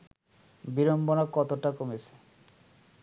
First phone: b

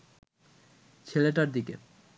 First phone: t͡ɕʰ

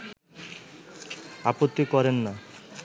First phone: a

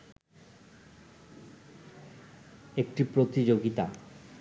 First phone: e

